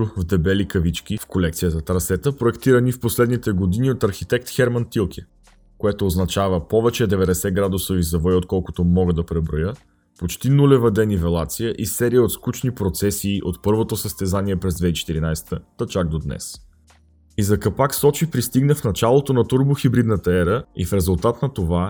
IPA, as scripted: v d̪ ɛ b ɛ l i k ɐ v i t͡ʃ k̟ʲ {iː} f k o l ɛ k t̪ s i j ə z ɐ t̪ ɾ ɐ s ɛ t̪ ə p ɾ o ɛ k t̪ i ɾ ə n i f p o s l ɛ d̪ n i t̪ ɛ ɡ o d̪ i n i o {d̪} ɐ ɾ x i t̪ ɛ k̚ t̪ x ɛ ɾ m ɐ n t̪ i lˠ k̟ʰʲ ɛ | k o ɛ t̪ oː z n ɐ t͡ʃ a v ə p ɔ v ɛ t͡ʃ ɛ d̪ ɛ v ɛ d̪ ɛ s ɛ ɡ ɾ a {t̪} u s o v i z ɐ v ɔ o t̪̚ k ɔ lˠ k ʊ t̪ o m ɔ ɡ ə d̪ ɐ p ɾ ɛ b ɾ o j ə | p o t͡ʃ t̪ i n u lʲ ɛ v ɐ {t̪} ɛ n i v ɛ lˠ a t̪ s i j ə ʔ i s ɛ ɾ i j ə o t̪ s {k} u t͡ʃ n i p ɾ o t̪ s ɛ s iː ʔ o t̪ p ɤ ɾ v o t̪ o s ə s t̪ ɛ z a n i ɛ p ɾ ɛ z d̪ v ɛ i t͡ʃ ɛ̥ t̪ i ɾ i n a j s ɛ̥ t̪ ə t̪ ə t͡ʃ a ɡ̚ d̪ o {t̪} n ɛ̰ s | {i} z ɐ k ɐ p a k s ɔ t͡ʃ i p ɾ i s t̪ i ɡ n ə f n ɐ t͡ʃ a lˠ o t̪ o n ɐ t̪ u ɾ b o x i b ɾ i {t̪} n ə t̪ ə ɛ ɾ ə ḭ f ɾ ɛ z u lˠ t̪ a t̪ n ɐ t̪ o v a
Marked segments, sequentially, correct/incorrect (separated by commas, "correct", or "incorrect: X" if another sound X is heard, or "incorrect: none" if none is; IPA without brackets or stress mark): incorrect: i, incorrect: t̪, incorrect: d̪, incorrect: d̪, correct, incorrect: d̪, correct, incorrect: d̪